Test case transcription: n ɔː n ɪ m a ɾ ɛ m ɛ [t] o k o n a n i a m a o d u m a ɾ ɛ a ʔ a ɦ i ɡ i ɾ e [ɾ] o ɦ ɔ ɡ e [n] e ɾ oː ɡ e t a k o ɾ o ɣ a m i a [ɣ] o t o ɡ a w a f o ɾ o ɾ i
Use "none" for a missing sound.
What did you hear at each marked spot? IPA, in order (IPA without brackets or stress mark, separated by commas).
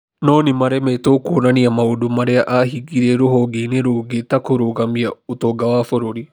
t, ɾ, n, none